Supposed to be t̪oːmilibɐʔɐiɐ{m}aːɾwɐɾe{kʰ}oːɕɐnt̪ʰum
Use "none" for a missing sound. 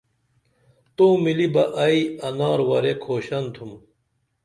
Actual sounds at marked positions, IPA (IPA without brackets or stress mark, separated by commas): n, kʰ